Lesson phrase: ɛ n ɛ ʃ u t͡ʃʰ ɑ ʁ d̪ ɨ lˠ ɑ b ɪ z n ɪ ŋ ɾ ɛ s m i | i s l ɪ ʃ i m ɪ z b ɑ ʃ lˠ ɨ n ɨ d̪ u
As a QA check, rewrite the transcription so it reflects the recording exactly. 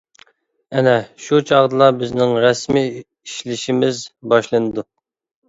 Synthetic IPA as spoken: ɛ n ɛ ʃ u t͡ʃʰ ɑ ʁ d̪ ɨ lˠ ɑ b ɪ z n ɪ ŋ ɾ ɛ s m i | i ʃ l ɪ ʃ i m ɪ z b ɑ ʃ lˠ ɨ n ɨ d̪ u